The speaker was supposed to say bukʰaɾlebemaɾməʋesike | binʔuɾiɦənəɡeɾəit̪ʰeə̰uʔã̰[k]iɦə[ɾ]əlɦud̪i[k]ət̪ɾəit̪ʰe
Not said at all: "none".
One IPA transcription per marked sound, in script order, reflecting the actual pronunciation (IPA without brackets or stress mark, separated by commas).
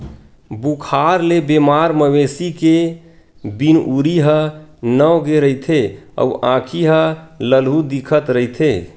kʰ, l, kʰ